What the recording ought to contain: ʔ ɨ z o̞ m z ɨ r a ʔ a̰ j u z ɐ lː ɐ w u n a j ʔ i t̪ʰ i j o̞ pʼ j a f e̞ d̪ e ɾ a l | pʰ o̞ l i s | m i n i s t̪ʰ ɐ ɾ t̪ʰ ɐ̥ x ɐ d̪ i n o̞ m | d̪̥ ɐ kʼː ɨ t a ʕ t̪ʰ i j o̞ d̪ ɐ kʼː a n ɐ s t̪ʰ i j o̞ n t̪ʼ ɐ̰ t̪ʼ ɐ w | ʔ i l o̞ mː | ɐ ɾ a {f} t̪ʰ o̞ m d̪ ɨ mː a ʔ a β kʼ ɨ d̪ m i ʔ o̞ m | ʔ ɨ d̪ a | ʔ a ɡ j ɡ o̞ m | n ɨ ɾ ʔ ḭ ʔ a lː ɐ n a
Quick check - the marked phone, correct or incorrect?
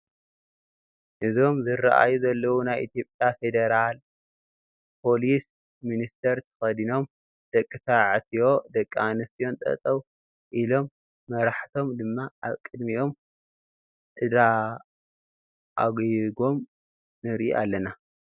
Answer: incorrect